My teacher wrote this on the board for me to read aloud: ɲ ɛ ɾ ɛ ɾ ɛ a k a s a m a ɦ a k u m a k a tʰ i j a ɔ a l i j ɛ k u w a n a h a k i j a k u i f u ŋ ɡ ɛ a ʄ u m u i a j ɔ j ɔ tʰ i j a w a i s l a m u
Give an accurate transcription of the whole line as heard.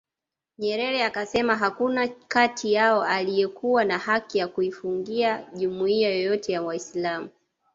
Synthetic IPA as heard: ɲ ɛ ɾ ɛ ɾ ɛ a k a s ɛ m a ɦ a k u n a k a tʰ i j a ɔ a l i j ɛ k u w a n a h a k i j a k u i f u ŋ ɡ i a ʄ u m u i a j ɔ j ɔ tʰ ɛ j a w a i s l a m u